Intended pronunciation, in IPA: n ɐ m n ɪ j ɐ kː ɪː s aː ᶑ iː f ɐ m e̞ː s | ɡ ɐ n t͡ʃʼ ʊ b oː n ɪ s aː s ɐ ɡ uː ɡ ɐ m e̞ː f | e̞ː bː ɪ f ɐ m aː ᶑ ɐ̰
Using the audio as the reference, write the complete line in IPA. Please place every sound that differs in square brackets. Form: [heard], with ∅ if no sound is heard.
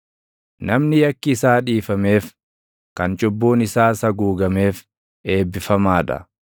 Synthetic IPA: n ɐ m n ɪ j ɐ kː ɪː s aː ᶑ iː f ɐ m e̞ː [f] | [k] ɐ n t͡ʃʼ ʊ [bː] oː n ɪ s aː s ɐ ɡ uː ɡ ɐ m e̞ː f | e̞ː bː ɪ f ɐ m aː ᶑ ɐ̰